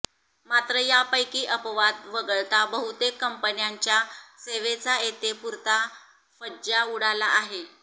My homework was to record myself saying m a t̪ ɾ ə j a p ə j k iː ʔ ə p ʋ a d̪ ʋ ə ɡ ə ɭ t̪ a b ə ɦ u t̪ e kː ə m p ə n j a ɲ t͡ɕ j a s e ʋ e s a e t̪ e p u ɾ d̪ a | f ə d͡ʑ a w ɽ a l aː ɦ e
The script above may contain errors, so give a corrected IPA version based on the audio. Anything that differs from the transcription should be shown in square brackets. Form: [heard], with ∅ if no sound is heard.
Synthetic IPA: m a t̪ ɾ ə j a p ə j k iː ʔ ə p ʋ a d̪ ʋ ə ɡ ə ɭ t̪ a b ə ɦ u t̪ e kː ə m p ə n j a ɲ t͡ɕ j a s e ʋ e [t͡s] a e t̪ e p u ɾ [t̪] a | f ə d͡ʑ a [u] ɽ a l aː ɦ e